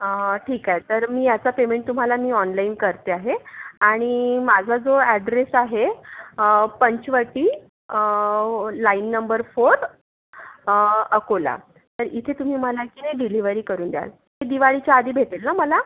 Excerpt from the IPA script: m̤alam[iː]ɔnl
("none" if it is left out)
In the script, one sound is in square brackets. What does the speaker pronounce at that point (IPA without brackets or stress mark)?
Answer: iː